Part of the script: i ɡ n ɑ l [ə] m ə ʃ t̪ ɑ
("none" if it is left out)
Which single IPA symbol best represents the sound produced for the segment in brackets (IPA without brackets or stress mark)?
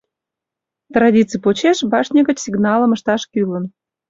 ə